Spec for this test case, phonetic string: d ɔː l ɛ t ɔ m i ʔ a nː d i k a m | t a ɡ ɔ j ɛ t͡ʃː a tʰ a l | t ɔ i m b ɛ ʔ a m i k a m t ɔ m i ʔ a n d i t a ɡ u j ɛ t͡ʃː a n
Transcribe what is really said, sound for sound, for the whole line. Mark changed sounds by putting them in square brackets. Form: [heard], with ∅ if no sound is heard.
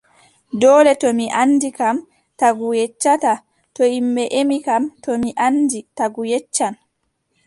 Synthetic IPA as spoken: d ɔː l ɛ t ɔ m i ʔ a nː d i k a m | t a ɡ [u] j ɛ t͡ʃː a [t] a [∅] | t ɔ i m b ɛ ʔ [e] m i k a m t ɔ m i ʔ a n d i t a ɡ u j ɛ t͡ʃː a n

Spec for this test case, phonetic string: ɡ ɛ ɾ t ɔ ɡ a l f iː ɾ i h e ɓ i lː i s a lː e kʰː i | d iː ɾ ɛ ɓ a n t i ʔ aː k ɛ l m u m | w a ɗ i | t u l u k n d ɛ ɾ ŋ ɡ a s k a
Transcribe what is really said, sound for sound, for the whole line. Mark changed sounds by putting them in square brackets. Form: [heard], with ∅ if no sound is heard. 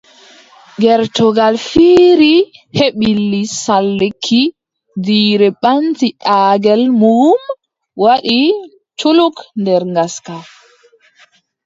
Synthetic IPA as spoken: ɡ ɛ ɾ t ɔ ɡ a l f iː ɾ i h e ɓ i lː i s a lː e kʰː i | d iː ɾ ɛ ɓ a n t i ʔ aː [ɡ] ɛ l m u m | w a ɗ i | [t͡ʃ] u l u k n d ɛ ɾ ŋ ɡ a s k a

